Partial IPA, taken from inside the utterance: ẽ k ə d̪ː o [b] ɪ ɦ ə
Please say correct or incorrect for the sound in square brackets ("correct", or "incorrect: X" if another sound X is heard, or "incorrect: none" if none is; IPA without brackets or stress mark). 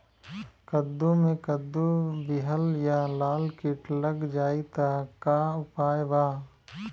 correct